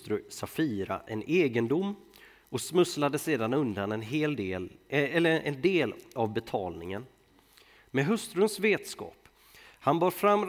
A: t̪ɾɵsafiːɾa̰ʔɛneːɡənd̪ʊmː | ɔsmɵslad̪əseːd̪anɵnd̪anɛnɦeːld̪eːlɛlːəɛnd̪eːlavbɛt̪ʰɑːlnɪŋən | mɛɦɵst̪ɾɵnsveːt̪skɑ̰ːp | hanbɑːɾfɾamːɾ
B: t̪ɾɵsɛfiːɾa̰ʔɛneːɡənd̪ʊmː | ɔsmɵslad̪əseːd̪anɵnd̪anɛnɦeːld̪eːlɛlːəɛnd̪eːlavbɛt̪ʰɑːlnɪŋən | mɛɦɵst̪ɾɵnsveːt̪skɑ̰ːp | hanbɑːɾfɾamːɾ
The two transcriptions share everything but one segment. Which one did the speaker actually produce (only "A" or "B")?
A